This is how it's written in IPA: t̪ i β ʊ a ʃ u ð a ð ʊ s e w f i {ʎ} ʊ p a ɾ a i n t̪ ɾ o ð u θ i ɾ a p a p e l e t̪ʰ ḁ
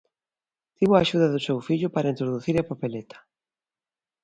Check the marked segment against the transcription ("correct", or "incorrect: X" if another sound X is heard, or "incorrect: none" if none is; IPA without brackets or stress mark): correct